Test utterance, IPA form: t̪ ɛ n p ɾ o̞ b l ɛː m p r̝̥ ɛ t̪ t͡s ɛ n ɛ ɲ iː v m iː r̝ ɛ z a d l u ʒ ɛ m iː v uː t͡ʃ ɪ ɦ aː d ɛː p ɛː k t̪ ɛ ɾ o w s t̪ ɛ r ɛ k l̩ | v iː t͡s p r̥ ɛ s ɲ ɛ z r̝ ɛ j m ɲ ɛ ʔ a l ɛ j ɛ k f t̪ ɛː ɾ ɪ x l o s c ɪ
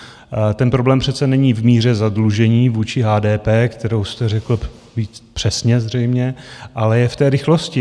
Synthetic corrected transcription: t̪ ɛ n p ɾ o̞ b l ɛː m p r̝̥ ɛ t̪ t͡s ɛ n ɛ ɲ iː v m iː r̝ ɛ z a d l u ʒ ɛ ɲ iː v uː t͡ʃ ɪ ɦ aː d ɛː p ɛː k t̪ ɛ ɾ o w s t̪ ɛ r ɛ k l̩ | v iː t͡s p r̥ ɛ s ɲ ɛ z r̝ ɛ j m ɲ ɛ ʔ a l ɛ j ɛ f t̪ ɛː ɾ ɪ x l o s c ɪ